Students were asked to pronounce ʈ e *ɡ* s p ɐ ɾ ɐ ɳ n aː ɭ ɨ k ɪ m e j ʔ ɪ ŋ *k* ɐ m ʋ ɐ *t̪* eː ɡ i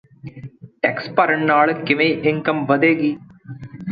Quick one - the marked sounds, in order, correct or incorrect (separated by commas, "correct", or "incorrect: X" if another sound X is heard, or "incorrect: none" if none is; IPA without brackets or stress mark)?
incorrect: k, correct, incorrect: d̪